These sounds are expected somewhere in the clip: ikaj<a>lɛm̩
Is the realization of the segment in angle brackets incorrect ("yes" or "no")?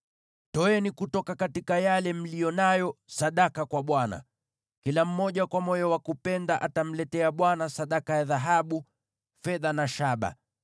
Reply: no